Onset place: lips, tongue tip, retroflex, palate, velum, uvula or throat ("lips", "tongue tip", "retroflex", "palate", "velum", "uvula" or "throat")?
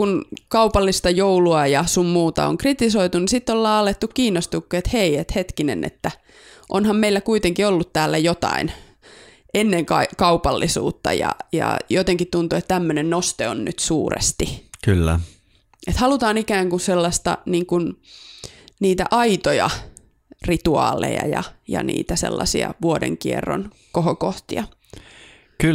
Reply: velum